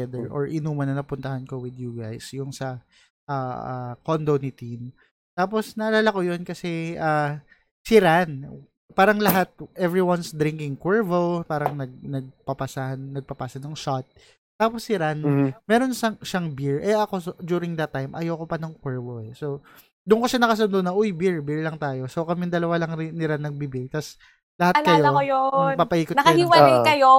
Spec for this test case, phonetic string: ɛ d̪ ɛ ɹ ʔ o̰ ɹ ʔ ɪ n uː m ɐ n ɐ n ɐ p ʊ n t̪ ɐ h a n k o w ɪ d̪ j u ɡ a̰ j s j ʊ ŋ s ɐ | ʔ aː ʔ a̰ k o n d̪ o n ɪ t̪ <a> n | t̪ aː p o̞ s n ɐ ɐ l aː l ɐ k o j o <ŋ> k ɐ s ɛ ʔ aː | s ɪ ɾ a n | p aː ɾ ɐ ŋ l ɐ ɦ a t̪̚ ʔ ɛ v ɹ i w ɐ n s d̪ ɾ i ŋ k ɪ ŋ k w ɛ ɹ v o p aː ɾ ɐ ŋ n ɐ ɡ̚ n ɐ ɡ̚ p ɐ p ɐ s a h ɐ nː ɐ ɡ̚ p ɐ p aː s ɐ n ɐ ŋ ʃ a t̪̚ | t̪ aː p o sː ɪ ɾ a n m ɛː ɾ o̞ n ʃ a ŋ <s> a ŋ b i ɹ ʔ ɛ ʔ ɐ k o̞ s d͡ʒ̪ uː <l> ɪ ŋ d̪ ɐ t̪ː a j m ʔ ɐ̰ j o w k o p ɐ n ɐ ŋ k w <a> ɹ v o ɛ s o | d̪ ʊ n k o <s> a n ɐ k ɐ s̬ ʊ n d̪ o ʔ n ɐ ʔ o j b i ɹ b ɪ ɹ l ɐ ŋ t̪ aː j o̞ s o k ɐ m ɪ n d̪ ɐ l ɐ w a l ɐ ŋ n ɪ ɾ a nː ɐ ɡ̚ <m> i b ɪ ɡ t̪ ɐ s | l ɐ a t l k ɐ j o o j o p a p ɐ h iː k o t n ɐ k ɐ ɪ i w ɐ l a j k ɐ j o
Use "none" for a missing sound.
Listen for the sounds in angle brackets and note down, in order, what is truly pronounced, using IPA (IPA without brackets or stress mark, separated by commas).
i, n, ʃ, ɾ, ɛ, ʃ, b